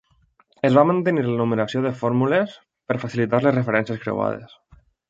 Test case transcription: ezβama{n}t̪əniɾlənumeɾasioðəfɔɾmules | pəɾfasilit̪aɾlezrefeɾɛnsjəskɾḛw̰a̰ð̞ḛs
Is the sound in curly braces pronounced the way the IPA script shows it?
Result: yes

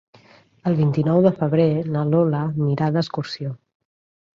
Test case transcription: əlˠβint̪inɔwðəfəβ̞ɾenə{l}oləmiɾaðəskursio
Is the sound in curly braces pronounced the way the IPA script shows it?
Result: yes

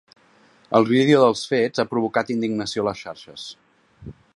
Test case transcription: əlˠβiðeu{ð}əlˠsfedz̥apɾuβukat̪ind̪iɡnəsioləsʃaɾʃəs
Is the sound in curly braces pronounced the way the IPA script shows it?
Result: yes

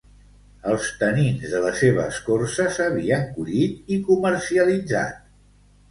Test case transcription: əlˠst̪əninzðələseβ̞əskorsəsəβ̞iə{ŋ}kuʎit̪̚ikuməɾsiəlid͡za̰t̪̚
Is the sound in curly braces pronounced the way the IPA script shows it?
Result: yes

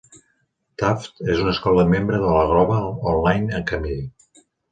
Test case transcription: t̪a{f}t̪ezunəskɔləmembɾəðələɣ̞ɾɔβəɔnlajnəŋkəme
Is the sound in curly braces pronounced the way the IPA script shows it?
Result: yes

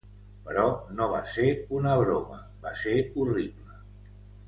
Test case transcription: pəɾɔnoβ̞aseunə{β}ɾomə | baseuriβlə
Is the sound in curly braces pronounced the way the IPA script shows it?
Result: yes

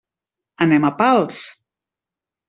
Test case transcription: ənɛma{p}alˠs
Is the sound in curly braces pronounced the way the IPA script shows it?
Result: yes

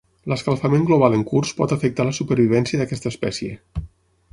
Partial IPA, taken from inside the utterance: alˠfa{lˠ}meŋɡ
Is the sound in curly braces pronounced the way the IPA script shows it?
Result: no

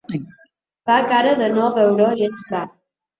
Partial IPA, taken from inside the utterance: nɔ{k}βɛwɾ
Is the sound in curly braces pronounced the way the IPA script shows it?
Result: no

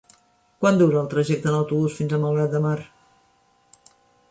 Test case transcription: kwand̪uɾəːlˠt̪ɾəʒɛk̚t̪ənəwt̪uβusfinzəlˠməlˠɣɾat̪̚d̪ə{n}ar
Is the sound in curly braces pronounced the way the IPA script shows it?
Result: no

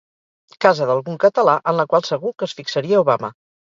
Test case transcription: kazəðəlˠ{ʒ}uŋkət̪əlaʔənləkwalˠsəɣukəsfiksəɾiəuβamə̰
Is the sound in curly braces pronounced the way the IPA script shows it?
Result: no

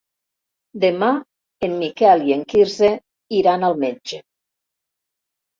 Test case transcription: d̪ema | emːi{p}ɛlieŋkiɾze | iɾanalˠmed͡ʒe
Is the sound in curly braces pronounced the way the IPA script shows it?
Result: no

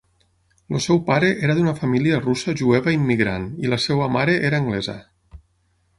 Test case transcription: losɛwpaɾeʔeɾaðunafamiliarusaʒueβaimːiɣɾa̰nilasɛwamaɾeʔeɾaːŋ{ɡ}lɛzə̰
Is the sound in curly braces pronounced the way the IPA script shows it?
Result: yes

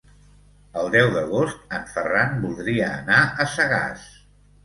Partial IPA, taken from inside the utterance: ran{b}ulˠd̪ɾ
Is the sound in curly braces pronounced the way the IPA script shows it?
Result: yes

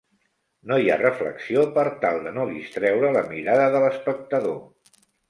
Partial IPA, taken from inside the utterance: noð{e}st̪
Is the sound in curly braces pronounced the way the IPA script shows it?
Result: no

